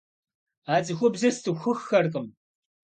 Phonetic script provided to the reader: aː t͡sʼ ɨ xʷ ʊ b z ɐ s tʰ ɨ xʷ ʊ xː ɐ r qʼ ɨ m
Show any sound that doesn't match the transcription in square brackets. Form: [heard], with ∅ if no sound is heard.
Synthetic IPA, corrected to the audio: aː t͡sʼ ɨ xʷ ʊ b z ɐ s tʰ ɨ xʷ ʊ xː ɐ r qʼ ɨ m